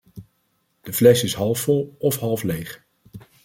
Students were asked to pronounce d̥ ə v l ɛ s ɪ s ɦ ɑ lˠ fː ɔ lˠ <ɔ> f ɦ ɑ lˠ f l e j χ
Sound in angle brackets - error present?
no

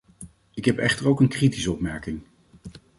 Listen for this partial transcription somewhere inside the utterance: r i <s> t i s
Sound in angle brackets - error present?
yes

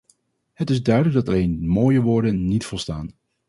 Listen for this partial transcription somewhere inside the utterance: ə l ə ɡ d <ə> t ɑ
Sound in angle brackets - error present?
yes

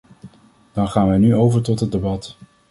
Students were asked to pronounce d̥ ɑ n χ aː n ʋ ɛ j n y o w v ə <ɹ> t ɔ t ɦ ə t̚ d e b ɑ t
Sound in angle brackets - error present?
no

